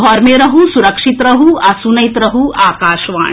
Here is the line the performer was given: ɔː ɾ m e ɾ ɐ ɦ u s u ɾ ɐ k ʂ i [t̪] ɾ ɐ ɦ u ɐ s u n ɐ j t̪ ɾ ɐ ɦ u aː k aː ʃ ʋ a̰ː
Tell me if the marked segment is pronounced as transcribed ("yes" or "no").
yes